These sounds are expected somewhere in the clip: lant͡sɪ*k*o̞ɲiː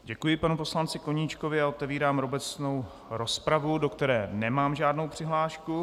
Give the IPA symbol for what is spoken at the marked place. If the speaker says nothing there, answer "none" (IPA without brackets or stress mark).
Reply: k